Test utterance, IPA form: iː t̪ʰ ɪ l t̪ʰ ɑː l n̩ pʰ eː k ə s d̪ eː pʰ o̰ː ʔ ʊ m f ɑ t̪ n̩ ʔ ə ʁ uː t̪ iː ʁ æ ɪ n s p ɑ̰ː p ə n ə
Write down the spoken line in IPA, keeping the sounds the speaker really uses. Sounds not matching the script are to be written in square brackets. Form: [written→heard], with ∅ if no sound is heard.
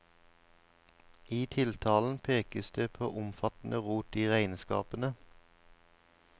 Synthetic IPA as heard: iː t̪ʰ ɪ l t̪ʰ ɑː l n̩ pʰ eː k ə s d̪ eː pʰ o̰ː ʔ ʊ m f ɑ t̪ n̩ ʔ ə ʁ uː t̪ iː ʁ æ ɪ n s [p→k] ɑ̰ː p ə n ə